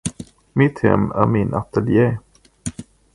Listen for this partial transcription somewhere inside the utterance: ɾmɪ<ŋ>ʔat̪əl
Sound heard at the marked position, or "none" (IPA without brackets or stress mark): n